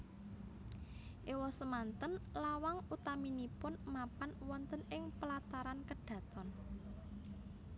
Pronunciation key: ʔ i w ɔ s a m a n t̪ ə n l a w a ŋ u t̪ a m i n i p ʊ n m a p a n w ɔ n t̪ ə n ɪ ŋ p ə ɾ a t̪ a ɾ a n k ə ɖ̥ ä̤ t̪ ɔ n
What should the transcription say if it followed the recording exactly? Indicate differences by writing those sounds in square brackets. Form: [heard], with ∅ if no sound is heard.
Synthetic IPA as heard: ʔ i w ɔ s [ə] m a n t̪ ə n l a w a ŋ u t̪ a m i n i p ʊ n m a p a n w ɔ n t̪ ə n ɪ ŋ p ə [l] a t̪ a ɾ a n k ə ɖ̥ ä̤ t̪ ɔ n